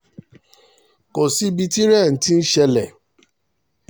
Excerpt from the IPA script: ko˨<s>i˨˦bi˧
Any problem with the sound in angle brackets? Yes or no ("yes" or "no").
no